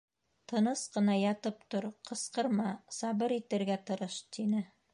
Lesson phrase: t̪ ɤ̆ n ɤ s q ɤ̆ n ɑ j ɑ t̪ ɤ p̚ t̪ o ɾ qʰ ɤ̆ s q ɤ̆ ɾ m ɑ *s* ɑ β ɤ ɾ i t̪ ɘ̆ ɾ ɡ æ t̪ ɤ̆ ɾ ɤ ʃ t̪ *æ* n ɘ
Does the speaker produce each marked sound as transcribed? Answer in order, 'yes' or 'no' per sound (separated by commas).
yes, no